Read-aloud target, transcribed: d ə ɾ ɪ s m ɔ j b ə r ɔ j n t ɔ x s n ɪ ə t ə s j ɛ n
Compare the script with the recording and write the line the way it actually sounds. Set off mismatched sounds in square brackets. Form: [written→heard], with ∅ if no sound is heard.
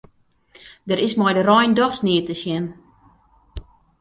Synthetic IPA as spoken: d ə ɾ ɪ s m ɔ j [b→d] ə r ɔ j n [t→d] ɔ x s n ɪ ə t ə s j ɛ n